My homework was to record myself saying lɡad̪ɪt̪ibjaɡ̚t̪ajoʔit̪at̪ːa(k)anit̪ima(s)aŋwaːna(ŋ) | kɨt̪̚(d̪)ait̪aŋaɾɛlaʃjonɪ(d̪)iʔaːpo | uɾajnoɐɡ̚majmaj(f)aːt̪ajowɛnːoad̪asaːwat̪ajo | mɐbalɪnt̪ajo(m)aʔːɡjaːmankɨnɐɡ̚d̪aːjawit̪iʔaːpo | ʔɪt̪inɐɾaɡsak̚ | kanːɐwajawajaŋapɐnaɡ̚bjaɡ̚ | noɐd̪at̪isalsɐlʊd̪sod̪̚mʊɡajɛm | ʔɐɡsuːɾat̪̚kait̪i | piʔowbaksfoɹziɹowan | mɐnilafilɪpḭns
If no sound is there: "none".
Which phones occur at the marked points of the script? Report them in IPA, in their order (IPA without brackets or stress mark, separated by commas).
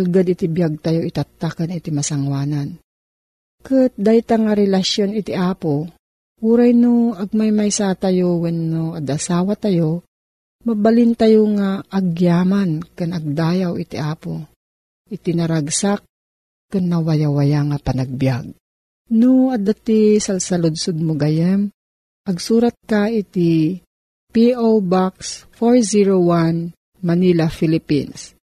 k, s, n, d̪, t̪, s, ŋ